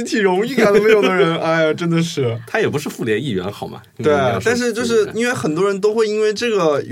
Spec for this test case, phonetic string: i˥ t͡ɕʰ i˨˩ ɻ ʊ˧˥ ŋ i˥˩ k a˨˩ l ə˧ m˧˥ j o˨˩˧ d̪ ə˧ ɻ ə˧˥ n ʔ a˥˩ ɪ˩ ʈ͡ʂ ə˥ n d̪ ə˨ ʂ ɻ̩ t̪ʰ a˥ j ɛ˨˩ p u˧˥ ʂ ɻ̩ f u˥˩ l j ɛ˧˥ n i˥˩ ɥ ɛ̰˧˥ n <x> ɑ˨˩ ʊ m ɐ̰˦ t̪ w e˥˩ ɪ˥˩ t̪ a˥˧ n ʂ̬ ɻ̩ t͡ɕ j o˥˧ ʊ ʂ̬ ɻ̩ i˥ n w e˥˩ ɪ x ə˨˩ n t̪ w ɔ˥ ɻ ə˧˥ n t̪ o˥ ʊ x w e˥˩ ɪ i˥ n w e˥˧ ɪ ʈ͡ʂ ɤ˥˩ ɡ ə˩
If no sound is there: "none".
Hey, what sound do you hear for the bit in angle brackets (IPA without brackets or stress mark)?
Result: x